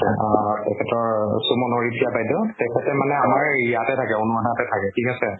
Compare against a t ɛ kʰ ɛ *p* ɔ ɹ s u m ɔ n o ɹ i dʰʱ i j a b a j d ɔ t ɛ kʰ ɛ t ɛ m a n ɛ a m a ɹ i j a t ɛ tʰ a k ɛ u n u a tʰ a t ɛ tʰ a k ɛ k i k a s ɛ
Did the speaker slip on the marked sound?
yes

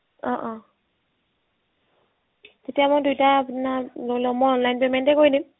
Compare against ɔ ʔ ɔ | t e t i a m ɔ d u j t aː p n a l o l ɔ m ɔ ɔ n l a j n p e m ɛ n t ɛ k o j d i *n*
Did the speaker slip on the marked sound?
yes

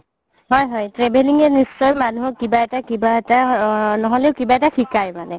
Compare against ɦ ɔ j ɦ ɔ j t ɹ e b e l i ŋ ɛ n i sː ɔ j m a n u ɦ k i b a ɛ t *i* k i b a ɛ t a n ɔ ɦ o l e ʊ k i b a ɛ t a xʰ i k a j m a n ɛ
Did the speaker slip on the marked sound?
yes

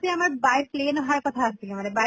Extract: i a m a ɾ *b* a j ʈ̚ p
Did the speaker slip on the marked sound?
no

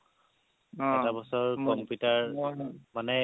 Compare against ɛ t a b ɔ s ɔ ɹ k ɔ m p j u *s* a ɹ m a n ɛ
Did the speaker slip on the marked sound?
yes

